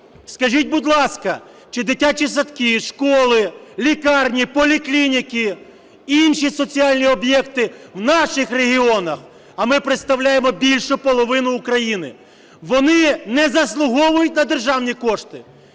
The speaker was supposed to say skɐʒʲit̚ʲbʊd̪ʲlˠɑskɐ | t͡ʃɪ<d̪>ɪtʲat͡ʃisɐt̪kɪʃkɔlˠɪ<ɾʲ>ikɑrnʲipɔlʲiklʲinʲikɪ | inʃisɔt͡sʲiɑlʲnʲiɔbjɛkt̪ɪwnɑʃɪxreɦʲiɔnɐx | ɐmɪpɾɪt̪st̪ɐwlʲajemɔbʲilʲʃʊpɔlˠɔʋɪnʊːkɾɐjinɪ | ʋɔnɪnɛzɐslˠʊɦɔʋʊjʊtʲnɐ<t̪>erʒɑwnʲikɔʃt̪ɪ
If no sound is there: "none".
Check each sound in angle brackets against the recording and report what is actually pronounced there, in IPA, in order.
d̪, lʲ, d̪

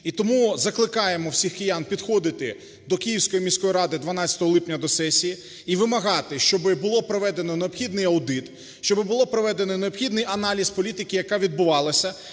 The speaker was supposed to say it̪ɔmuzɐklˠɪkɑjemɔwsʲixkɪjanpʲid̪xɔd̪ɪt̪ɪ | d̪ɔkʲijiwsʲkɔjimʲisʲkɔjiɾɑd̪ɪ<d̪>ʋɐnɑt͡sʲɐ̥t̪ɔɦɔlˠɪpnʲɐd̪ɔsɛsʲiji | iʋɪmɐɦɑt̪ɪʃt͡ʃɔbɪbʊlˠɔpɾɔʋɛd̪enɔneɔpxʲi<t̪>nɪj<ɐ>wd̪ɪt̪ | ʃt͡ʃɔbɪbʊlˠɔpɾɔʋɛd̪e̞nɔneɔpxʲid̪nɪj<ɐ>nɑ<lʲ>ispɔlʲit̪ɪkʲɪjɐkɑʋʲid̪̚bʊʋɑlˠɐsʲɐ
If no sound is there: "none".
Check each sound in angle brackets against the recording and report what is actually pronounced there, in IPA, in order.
d̪, d̪, ɐ, ɐ, lʲ

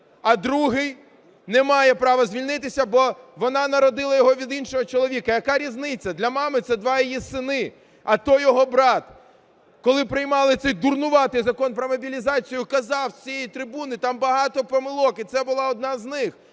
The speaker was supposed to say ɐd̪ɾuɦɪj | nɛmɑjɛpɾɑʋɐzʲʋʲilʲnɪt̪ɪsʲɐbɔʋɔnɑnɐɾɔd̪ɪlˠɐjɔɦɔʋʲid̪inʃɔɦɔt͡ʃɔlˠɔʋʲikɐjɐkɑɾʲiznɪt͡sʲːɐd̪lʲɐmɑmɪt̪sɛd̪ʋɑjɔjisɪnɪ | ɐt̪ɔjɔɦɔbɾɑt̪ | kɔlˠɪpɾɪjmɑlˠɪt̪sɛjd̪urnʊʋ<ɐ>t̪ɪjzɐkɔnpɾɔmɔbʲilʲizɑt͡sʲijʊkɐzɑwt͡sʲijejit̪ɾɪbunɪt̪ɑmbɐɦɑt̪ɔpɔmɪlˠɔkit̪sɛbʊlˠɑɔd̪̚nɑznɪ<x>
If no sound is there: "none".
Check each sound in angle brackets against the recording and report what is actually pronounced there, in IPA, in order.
ɑ, x

